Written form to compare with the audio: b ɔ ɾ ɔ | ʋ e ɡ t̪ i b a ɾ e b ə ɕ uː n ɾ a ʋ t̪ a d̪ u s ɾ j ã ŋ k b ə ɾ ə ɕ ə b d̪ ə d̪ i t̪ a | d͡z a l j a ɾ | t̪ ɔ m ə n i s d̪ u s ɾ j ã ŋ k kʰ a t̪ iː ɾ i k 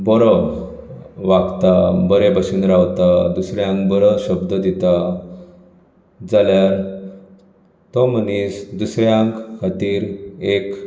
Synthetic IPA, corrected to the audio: b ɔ ɾ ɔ | ʋ a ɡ t̪ a b ə ɾ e b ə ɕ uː n ɾ a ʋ t̪ a d̪ u s ɾ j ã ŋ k b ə ɾ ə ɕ ə b d̪ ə d̪ i t̪ a | d͡z a l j a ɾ | t̪ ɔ m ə n i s d̪ u s ɾ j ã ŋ k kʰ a t̪ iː ɾ e k